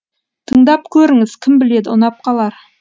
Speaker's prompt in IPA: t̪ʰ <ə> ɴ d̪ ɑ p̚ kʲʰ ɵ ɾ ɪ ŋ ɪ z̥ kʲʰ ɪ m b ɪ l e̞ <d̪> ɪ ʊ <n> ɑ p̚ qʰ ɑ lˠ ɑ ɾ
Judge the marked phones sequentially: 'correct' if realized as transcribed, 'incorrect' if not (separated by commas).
correct, correct, correct